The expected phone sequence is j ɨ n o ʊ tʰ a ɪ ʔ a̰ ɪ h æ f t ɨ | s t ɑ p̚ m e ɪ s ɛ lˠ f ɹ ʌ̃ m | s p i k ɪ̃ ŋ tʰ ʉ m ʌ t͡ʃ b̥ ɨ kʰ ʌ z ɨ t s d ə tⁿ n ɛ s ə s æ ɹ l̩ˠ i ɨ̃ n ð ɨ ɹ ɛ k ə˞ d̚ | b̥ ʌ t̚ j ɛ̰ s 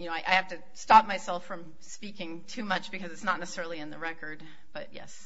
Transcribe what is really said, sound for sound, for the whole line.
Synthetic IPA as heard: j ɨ n o ʊ a ɪ ʔ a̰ ɪ h æ f t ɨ | s t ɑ p̚ m a ɪ s ɛ lˠ f ɹ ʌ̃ m | s p i k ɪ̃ ŋ tʰ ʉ m ʌ t͡ʃ b̥ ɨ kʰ ʌ z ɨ t s n ə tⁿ n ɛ s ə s ɛ ɹ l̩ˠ i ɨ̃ n ð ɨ ɹ ɛ k ə˞ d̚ | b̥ ʌ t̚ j ɛ̰ s